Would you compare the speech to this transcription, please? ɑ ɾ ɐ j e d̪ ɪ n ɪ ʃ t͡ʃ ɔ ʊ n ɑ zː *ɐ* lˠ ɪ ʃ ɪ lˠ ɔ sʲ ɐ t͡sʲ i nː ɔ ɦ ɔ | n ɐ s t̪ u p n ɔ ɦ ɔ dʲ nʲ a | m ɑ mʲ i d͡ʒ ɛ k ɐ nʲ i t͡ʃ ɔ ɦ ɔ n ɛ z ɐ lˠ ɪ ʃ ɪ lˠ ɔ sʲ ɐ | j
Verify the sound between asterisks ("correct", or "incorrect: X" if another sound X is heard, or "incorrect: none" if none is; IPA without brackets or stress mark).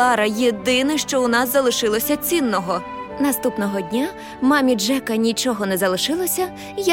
correct